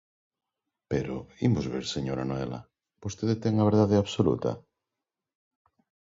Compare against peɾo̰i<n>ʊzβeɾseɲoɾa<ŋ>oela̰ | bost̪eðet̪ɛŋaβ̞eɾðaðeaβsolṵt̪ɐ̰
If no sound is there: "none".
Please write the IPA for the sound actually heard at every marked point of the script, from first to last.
m, n

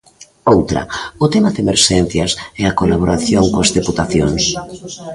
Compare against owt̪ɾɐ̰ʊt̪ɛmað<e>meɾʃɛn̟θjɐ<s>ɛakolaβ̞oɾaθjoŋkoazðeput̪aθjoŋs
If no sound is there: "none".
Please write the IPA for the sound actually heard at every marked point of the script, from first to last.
e, s

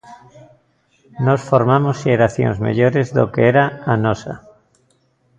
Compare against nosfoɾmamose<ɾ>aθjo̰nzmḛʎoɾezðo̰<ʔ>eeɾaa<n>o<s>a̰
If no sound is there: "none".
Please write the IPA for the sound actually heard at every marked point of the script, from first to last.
ɾ, k, n, s

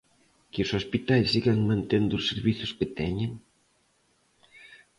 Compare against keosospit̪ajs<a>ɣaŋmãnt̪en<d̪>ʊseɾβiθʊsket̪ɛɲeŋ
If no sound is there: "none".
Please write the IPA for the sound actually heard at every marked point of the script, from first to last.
i, d̪

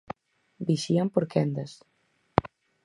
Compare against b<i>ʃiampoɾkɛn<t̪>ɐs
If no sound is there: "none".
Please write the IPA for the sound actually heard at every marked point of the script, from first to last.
i, d̪

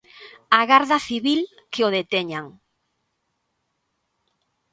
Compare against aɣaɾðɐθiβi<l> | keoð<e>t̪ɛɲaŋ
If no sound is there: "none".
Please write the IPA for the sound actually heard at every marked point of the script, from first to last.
l, e

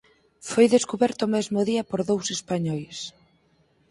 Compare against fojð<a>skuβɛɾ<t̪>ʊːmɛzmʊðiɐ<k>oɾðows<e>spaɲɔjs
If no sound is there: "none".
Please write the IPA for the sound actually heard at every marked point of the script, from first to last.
e, t̪, p, e

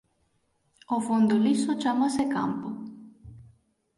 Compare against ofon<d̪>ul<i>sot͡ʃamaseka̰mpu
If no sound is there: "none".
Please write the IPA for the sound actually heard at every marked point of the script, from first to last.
d̪, i

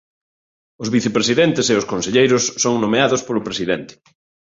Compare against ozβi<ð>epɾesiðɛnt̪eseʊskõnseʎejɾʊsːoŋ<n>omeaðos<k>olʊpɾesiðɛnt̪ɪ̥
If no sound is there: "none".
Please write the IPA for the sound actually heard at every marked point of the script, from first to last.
θ, n, p

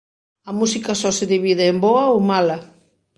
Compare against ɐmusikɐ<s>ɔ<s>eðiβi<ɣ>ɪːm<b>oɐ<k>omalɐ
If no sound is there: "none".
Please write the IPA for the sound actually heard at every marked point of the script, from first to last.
s, s, ð, b, none

